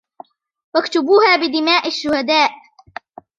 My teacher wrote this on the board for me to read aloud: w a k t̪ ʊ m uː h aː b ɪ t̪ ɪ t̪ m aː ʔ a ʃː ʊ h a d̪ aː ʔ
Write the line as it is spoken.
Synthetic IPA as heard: w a k t̪ ʊ b uː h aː b ɪ d̪ ɪ m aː ʔ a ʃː ʊ h a d̪ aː ʔ

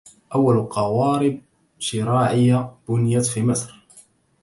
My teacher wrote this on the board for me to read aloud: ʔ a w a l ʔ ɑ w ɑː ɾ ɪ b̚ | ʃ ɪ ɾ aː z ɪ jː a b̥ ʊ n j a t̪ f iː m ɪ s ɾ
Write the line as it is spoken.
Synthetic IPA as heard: ʔ a wː a l q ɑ w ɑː ɾ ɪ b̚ | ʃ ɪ ɾ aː ʕ ɪ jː a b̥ ʊ n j a t̪ f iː m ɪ s ɾ

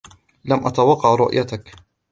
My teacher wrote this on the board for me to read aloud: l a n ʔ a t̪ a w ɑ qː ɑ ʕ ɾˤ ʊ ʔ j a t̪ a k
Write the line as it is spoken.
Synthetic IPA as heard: l a m ʔ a t̪ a w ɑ qː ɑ ʕ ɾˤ ʊ ʔ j a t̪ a k

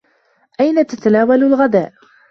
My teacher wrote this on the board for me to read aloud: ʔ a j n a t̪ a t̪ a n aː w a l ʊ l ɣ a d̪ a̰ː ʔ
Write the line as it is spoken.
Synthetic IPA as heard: ʔ a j n a t̪ a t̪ a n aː w a l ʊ l ɣ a d̪ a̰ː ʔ

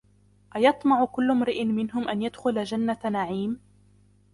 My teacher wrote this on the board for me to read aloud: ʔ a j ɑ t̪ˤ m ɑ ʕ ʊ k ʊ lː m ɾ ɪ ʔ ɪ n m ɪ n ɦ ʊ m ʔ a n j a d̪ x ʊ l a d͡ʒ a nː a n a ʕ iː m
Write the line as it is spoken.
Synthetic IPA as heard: ʔ a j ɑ t̪ˤ m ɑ ʕ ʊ k ʊ lː m ɾ ɪ ʔ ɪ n m ɪ n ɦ ʊ m ʔ a n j a d̪ x ʊ l a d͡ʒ a nː a n a ʕ iː m

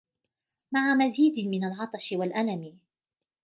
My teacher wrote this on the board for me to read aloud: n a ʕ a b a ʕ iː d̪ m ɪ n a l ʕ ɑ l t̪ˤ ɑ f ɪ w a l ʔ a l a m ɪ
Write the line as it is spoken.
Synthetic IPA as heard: m a ʕ a m a z iː d̪ m ɪ n a l ʕ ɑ t̪ˤ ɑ ʃ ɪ w a l ʔ a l a m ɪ

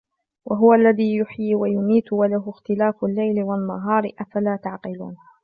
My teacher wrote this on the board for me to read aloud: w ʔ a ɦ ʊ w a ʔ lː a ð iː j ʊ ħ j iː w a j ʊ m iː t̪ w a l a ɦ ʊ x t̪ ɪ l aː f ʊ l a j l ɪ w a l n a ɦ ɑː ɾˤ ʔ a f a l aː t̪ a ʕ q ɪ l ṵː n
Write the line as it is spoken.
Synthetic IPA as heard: w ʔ a ɦ ʊ w a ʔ lː a ð iː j ʊ ħ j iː w a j ʊ m iː t̪ w a l a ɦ ʊ x t̪ ɪ l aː f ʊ lː a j l ɪ w a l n a ɦ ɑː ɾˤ ʔ a f a l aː t̪ a ʕ q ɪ l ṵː n

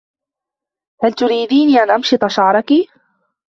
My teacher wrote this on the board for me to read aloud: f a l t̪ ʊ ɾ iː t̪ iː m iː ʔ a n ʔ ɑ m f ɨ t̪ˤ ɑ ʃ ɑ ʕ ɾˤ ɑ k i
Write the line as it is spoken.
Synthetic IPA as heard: h a l t̪ ʊ ɾ iː d̪ iː n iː ʔ a n ʔ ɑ m ʃ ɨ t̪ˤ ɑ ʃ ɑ ʕ ɾˤ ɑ k i

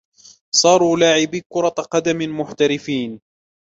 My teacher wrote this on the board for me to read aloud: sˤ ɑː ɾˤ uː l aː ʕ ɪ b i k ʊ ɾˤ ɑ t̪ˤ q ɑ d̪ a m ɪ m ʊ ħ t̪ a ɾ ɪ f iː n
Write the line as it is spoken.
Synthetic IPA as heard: sˤ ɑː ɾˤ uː l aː ʕ ɪ b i k ʊ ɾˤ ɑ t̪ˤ q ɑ d̪ a m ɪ m ʊ ħ t̪ a ɾ ɪ f iː n

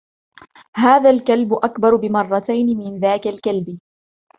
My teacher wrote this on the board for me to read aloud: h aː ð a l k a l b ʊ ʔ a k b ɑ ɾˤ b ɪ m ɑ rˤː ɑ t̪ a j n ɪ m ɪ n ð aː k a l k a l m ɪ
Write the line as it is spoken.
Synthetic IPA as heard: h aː ð a l k a l b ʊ ʔ a k b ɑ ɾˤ b ɪ m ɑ rˤː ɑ t̪ a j n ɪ m ɪ n ð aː k a l k a l b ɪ

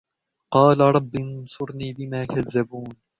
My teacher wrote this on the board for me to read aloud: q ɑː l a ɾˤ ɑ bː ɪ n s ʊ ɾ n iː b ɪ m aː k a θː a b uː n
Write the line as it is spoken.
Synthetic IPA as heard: q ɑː l a ɾˤ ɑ bː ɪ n s ʊ ɾ n iː b ɪ m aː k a ðː a b uː n

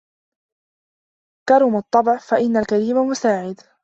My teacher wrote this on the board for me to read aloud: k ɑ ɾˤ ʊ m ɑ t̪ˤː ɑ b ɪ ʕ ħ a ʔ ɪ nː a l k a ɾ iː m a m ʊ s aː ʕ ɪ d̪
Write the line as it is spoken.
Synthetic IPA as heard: k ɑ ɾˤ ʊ m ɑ t̪ˤː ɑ b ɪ ʕ f a ʔ ɪ nː a l k a ɾ iː m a m ʊ s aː ʕ ɪ d̪

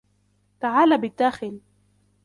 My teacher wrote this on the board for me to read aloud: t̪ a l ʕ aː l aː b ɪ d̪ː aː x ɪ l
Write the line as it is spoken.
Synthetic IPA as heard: t̪ a ʕ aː l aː b ɪ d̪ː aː x ɪ l

